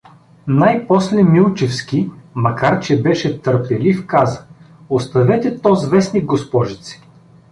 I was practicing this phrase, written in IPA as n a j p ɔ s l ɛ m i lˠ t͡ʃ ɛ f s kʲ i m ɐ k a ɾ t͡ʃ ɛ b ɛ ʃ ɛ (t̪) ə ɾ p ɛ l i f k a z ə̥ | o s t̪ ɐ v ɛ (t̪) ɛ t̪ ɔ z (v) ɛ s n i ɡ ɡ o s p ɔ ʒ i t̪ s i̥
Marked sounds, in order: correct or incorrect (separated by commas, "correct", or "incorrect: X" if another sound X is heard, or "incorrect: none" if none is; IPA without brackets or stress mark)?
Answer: correct, correct, correct